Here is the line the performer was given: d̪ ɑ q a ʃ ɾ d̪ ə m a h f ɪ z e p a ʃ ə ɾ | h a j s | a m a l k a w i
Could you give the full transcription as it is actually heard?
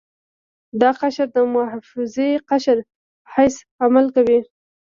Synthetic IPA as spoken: d̪ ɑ q a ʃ ɾ d̪ ə m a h f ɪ z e q a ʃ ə ɾ | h a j s | a m a l k a w i